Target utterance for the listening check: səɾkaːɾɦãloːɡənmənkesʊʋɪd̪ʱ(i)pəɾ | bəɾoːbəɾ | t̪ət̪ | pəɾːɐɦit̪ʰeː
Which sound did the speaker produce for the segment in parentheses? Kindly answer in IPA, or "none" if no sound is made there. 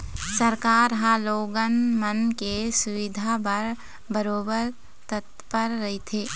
a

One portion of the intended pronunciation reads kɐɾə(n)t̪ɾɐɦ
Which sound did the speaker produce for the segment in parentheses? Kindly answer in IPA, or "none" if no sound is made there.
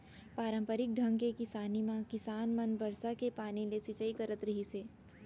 none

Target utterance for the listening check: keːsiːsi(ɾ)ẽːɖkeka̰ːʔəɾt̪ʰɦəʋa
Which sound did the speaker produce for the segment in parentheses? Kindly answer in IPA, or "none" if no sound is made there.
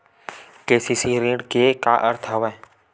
ɾ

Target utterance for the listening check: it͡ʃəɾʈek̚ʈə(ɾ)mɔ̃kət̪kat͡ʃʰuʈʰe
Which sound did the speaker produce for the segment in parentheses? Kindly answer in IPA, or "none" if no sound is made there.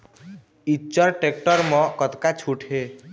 ɾ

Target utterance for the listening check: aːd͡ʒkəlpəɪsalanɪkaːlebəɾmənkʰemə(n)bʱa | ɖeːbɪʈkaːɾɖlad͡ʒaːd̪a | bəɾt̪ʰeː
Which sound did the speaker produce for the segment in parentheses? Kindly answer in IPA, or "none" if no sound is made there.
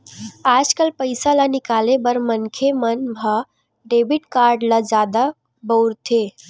n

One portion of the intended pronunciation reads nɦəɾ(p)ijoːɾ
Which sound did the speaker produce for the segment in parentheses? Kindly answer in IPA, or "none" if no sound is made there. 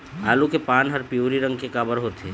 p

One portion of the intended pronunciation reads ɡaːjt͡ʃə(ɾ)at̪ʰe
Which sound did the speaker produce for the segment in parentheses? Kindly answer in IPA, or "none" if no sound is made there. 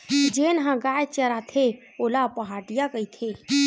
ɾ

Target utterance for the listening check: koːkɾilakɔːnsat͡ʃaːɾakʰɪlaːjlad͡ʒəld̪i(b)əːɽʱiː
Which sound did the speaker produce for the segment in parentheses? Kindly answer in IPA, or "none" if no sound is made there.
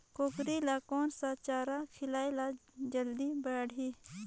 b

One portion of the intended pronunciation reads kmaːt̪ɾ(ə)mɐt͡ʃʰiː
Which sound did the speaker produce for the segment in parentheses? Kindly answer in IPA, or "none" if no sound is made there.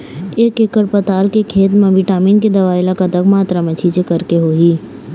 a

